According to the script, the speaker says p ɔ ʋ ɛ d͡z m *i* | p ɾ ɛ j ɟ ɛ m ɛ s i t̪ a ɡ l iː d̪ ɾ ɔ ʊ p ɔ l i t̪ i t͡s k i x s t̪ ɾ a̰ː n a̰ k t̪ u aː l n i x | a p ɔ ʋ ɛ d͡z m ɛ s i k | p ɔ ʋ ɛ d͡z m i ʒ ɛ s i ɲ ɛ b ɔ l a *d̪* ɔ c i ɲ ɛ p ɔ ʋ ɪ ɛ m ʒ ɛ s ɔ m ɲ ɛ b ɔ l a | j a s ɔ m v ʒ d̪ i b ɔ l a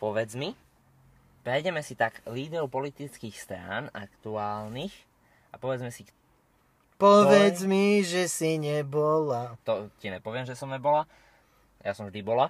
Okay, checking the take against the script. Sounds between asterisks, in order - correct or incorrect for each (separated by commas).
correct, incorrect